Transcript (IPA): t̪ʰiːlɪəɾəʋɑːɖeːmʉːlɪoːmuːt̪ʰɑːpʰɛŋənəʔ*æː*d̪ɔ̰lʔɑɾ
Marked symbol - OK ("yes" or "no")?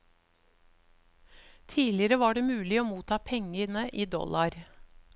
no